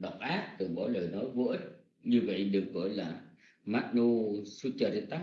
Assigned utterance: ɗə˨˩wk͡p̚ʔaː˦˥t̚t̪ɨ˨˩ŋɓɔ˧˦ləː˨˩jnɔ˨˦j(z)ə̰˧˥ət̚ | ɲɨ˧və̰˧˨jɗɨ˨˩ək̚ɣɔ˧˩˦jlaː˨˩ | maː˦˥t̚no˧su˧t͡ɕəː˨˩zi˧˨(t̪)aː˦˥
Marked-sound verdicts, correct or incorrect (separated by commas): incorrect, correct